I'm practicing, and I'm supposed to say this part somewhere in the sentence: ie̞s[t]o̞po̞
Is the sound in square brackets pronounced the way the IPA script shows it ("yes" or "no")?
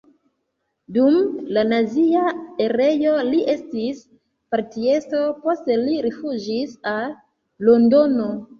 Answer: yes